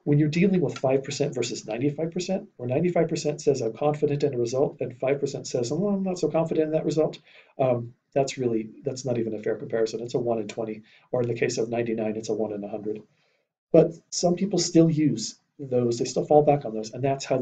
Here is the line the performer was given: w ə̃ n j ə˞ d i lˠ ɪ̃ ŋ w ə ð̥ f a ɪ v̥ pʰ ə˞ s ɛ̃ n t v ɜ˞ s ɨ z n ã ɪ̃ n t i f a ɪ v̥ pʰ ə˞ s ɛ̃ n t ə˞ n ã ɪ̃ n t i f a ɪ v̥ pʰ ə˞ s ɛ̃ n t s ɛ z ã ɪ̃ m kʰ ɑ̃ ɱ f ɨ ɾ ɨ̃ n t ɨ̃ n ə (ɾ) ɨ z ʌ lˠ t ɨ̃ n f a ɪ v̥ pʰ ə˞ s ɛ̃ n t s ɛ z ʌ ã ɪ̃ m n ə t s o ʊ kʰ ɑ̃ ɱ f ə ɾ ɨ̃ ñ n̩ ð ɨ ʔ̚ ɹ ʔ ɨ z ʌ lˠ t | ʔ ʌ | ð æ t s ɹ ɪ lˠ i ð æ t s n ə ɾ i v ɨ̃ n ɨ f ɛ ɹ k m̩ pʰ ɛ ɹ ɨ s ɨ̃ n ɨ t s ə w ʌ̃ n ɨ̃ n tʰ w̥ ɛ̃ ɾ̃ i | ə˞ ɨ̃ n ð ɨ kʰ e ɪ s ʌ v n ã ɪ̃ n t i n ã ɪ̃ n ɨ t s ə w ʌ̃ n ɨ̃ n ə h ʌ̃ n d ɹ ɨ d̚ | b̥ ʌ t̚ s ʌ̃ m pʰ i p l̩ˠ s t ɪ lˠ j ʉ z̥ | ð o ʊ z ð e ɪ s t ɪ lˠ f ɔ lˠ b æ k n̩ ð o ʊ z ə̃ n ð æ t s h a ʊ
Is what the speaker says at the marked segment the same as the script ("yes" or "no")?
no